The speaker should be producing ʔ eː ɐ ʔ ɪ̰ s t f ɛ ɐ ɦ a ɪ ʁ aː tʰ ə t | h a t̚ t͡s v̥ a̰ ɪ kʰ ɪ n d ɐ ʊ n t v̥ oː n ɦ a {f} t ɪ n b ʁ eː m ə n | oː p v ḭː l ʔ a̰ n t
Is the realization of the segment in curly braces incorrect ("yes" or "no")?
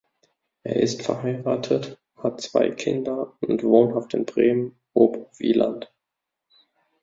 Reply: no